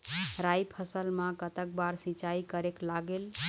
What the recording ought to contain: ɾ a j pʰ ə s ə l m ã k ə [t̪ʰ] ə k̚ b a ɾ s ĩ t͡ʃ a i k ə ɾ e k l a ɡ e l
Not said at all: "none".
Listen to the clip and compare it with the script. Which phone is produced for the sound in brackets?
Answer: t̪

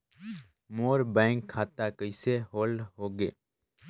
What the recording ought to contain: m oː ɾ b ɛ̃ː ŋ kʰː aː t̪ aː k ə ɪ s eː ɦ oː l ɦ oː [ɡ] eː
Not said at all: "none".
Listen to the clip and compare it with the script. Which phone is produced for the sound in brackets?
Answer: ɡ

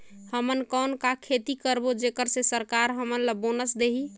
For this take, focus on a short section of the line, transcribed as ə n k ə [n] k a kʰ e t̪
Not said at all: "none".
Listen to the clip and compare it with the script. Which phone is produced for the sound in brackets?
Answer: n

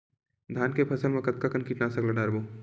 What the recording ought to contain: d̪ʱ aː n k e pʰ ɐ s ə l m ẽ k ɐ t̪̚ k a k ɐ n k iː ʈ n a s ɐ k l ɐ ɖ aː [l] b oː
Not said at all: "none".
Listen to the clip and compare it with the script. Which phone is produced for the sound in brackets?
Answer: ɾ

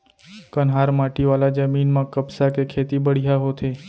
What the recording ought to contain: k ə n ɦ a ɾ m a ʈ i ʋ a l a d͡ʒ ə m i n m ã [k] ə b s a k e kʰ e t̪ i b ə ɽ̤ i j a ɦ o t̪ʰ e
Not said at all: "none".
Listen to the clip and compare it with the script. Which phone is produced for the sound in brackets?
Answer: k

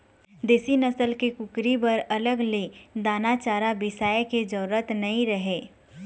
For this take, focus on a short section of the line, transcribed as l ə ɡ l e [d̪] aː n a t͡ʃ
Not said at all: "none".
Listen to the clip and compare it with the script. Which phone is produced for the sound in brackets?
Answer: d̪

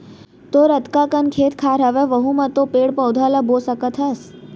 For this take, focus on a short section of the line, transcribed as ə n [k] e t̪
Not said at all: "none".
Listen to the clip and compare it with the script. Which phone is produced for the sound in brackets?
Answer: kʰ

